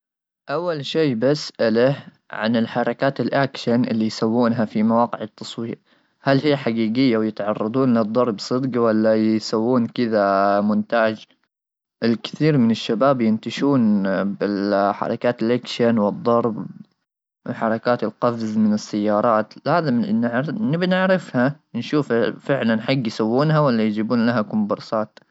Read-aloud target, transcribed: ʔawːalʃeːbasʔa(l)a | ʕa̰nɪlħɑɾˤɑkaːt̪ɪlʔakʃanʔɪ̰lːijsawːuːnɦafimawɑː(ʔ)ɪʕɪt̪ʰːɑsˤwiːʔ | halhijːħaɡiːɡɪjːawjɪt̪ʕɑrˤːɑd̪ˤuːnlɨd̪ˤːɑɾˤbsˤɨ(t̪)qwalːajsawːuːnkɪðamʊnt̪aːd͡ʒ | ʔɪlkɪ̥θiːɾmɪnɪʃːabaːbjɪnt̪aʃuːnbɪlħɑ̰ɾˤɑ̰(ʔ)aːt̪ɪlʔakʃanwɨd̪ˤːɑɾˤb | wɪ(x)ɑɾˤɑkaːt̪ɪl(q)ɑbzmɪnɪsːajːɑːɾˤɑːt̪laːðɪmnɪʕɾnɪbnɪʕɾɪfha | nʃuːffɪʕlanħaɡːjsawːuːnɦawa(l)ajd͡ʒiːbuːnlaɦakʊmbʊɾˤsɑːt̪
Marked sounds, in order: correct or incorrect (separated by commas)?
correct, incorrect, incorrect, incorrect, incorrect, correct, incorrect